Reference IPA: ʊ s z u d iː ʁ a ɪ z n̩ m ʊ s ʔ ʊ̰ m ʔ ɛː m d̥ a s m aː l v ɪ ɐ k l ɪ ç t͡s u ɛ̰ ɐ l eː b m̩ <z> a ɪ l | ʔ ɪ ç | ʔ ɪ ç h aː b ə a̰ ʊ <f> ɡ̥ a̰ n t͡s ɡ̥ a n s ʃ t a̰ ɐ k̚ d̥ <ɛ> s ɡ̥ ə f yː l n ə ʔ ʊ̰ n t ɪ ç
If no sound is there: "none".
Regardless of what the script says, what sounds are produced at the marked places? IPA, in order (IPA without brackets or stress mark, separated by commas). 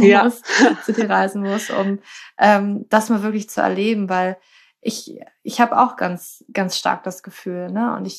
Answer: v, x, a